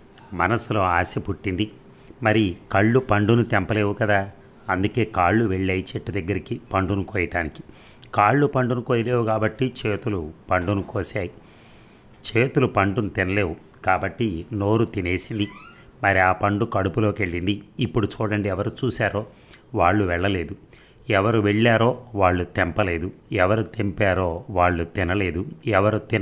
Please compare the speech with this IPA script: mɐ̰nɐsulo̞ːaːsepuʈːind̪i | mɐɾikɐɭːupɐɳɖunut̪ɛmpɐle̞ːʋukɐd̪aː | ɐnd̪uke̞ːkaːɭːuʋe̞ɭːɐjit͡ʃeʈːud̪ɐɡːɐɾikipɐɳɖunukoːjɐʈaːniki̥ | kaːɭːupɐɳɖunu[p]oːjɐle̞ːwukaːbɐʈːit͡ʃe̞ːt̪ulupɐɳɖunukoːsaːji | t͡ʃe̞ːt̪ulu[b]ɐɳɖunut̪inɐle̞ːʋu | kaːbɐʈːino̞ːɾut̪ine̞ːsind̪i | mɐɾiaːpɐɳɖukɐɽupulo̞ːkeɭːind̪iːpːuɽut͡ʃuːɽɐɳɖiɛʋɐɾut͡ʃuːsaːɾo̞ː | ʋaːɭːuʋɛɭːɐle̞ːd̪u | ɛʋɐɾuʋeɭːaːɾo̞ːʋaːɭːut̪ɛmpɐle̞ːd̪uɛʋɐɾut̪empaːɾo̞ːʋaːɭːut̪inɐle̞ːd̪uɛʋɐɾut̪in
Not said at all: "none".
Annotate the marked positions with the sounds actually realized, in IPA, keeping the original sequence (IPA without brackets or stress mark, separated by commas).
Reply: k, p